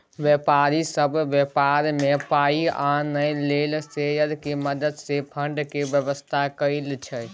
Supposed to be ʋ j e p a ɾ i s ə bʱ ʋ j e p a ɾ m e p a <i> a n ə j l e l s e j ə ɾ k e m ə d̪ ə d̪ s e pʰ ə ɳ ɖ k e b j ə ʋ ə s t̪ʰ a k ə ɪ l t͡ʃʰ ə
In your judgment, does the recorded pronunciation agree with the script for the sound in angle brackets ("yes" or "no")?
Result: yes